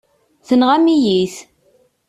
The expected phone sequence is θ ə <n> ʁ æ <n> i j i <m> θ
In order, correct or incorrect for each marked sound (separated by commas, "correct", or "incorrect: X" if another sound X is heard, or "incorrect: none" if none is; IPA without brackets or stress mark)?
correct, incorrect: m, incorrect: none